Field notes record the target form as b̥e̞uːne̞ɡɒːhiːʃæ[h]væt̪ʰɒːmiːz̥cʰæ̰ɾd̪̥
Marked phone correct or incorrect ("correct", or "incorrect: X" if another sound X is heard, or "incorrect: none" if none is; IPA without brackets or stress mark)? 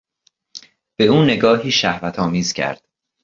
correct